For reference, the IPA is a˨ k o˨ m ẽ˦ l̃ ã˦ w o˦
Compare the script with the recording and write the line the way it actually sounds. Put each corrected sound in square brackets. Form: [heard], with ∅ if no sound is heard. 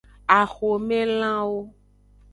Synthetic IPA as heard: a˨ [x] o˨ m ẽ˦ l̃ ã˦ w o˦